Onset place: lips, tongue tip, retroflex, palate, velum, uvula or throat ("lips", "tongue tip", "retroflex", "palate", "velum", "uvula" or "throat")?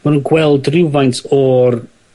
lips